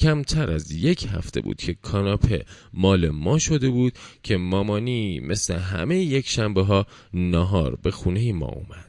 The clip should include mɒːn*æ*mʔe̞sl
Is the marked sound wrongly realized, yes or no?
yes